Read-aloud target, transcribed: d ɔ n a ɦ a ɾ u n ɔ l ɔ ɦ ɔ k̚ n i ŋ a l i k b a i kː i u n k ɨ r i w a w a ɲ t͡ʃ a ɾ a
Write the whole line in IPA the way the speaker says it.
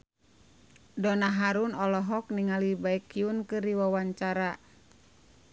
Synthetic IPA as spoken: d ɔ n a ɦ a ɾ u n ɔ l ɔ ɦ ɔ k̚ n i ŋ a l i b a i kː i u n k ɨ r i w a w a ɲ t͡ʃ a ɾ a